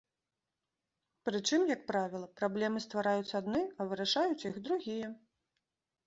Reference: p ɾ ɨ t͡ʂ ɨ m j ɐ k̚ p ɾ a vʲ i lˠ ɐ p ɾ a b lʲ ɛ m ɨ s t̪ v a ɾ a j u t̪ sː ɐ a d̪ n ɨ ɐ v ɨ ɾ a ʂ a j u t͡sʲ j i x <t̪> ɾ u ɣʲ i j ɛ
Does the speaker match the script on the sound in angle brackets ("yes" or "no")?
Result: no